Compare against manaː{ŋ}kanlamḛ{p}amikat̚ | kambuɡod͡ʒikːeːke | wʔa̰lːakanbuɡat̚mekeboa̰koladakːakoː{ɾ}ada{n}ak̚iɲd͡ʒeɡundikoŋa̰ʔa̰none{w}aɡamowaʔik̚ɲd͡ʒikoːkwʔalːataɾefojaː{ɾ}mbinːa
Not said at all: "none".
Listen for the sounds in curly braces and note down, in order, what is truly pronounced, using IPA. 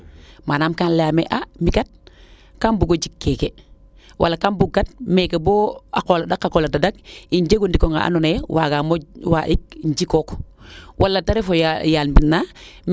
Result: m, ʔ, l, d, w, l

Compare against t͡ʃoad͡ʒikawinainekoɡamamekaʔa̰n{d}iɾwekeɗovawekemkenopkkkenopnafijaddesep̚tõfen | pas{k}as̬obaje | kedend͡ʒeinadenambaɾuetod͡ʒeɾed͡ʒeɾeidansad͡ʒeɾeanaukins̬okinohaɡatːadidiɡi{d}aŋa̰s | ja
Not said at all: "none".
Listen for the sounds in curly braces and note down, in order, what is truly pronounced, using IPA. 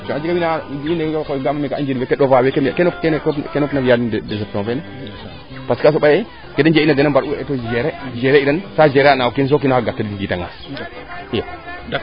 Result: d͡ʒ, k, t

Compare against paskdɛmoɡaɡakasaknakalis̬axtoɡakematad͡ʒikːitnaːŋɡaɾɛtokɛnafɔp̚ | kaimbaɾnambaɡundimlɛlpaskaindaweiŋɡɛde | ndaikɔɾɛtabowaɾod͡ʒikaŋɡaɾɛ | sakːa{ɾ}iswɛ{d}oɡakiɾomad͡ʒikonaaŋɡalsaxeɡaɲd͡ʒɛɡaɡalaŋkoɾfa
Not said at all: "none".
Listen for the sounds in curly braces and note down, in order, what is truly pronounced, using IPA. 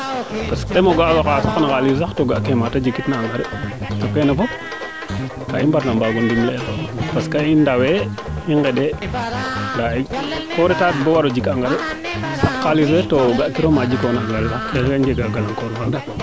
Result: l, t

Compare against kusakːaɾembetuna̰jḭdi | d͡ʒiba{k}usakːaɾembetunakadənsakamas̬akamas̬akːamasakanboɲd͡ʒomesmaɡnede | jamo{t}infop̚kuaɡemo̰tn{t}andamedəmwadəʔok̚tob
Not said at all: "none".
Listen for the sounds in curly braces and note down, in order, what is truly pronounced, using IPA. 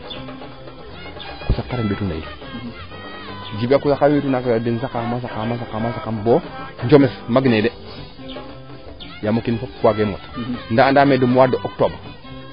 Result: k, k, d

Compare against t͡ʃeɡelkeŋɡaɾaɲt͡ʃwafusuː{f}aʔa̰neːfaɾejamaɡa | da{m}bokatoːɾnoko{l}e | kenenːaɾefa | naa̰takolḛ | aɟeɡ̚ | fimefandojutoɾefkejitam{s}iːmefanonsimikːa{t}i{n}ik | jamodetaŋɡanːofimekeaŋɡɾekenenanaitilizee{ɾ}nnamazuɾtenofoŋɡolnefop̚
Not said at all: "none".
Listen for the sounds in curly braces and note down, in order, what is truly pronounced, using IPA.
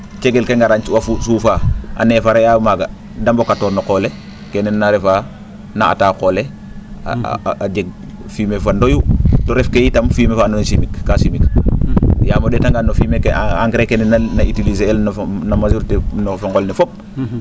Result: f, m, l, f, s, m, l

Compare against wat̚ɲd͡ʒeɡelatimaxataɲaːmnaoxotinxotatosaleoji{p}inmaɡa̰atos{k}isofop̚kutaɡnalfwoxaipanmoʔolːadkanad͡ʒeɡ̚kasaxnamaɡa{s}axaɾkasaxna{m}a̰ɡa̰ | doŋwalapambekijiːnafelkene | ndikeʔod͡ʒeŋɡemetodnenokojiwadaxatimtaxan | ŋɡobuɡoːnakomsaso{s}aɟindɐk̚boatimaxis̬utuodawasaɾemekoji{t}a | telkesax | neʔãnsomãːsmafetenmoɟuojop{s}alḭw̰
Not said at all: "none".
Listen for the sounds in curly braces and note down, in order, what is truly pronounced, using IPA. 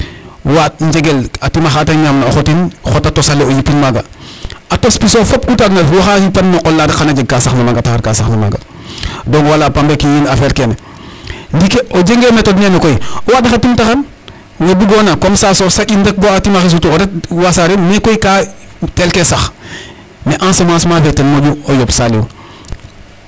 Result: p, p, t, m, s, k, s

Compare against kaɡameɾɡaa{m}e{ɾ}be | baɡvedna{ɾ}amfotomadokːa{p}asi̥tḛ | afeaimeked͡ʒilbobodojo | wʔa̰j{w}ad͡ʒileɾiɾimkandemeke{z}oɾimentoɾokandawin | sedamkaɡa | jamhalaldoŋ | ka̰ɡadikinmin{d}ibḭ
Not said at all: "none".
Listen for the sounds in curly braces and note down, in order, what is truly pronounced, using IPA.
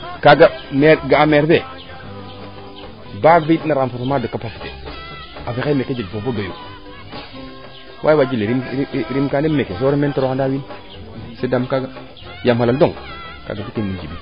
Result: m, ɾ, ɾ, p, w, s, d͡ʒ

